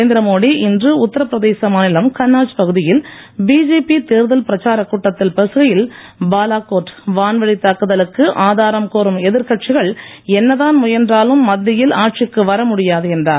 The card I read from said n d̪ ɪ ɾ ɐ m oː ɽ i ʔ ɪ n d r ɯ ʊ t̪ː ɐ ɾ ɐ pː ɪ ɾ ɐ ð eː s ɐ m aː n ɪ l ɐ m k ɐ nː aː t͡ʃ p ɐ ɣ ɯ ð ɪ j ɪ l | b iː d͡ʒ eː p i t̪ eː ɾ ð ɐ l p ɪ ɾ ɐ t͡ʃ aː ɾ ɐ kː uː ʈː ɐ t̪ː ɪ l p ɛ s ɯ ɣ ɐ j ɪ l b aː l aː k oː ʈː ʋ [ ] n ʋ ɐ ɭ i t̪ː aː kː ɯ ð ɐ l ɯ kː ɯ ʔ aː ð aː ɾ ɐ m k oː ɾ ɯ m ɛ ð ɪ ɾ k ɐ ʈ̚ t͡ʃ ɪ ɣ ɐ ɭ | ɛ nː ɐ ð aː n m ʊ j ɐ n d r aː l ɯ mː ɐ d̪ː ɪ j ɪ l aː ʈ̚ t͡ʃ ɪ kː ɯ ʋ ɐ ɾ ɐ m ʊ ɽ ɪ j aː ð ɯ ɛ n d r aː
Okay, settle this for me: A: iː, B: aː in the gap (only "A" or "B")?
B